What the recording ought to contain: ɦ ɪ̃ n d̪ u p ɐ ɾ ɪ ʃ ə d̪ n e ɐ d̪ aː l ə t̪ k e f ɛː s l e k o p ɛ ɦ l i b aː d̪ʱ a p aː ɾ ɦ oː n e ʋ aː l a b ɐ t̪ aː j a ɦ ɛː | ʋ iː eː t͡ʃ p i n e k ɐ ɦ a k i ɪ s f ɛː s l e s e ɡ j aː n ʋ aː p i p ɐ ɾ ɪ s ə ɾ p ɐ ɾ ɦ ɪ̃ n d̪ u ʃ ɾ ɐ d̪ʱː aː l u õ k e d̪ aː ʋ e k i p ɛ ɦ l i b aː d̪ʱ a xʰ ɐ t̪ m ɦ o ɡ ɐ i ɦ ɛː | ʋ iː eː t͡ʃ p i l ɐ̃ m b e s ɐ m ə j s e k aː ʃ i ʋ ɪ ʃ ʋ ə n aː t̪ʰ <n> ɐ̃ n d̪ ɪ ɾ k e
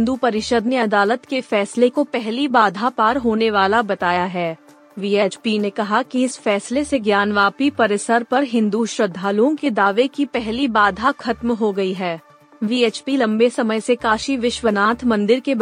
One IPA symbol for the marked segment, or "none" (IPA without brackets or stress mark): m